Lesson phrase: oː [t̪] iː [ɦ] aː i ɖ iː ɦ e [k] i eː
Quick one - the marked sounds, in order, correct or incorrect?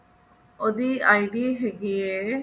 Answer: incorrect: d̪, incorrect: none, incorrect: ɡ

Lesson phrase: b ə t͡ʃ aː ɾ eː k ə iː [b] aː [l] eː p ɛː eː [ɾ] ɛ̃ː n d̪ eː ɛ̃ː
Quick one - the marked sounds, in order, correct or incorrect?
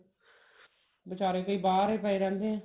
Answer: correct, incorrect: ɾ, correct

